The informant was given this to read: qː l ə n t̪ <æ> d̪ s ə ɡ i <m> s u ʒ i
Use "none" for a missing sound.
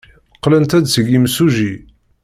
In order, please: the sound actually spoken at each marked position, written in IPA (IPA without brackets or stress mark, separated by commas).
æ, m